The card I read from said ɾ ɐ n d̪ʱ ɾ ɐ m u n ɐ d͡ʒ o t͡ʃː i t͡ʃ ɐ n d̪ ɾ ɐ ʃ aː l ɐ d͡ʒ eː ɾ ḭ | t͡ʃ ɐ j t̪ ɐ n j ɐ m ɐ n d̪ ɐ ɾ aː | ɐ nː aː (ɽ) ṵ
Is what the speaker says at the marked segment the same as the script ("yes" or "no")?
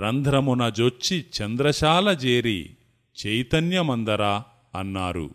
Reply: no